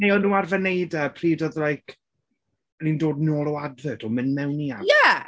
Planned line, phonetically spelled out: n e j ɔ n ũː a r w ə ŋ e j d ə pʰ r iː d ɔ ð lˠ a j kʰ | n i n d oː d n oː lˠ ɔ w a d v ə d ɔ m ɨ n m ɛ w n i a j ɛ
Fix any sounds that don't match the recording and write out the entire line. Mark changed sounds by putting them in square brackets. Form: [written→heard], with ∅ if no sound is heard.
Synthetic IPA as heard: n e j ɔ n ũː a r [w→v] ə [ŋ→n] e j d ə pʰ r iː d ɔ ð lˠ a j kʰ | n i n d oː d n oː lˠ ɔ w a d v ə d ɔ m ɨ n m ɛ w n i a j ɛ